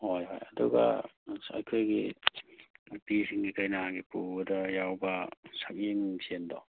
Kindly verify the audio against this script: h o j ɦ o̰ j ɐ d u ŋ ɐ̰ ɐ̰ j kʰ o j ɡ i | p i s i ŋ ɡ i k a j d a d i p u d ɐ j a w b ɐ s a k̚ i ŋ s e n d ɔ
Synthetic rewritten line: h o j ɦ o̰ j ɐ d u ɡ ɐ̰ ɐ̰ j kʰ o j ɡ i | p i s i ŋ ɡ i k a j n a ɡ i p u d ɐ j a w b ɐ s a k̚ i ŋ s e n d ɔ